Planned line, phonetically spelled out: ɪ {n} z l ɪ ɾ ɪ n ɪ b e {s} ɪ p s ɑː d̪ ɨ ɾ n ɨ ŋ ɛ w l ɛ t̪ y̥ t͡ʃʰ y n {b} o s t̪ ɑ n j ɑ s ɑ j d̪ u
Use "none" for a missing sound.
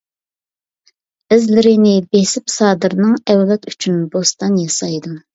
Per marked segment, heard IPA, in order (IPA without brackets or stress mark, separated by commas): none, s, b